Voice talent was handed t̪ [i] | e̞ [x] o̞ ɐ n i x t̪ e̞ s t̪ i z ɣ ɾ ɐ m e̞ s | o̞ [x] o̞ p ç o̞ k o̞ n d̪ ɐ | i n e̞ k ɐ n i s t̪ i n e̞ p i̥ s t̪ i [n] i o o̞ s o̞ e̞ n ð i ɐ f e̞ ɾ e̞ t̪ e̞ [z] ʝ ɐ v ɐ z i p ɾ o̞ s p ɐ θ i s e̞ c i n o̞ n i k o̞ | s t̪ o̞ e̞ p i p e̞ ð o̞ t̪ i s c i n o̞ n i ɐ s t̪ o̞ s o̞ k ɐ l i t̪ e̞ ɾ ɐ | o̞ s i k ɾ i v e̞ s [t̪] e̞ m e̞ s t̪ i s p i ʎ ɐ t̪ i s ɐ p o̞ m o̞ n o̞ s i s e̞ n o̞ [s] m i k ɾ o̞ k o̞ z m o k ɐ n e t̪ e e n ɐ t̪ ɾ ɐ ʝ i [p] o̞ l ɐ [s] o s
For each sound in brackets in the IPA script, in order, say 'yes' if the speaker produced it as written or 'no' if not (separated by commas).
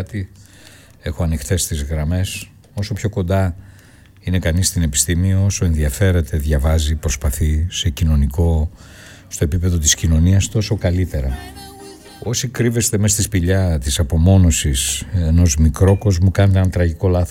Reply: yes, yes, no, no, no, yes, no, no, no